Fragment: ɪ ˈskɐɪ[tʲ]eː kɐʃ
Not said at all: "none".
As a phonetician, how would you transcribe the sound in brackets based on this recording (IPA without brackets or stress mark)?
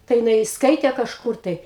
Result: tʲ